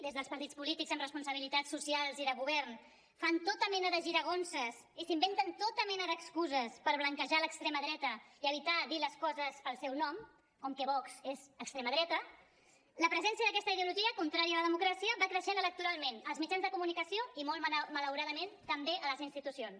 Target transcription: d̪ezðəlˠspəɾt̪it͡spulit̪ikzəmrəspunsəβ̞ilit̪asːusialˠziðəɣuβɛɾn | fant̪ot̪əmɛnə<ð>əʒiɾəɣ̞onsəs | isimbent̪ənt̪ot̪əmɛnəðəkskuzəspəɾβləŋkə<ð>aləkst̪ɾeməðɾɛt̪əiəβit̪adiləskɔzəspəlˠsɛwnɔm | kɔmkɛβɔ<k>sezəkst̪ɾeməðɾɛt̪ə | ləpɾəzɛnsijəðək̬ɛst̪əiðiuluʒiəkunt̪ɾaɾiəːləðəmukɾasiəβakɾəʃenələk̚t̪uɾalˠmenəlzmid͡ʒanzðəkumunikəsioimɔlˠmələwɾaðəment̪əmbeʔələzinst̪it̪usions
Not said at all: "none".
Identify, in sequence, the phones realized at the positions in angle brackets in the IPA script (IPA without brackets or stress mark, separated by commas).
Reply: ð, ʒ, k